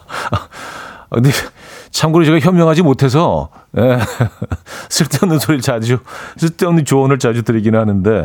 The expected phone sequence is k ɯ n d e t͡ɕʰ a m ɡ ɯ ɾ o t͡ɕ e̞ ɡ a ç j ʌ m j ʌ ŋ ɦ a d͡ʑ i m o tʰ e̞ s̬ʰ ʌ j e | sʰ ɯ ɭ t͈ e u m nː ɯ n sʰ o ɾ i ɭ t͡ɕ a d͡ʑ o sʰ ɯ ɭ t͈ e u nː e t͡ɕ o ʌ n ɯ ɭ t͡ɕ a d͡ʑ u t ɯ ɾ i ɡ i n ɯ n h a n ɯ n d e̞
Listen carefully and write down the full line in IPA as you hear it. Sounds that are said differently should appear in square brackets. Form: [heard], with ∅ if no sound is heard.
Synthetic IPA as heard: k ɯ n d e t͡ɕʰ a m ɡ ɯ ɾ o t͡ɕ e̞ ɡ a ç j ʌ m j ʌ ŋ ɦ a d͡ʑ i m o tʰ e̞ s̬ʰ ʌ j e | sʰ ɯ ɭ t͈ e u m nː ɯ n sʰ o ɾ i ɭ t͡ɕ a d͡ʑ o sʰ ɯ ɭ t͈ e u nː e t͡ɕ o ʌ n ɯ ɭ t͡ɕ a d͡ʑ u t ɯ ɾ i ɡ i n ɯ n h a n ɯ n d e̞